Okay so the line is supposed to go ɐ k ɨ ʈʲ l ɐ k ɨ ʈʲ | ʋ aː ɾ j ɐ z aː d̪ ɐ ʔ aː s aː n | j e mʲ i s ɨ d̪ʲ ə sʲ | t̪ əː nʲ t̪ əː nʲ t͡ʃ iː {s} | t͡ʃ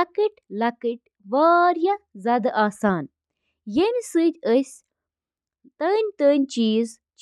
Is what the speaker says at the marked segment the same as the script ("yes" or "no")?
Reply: no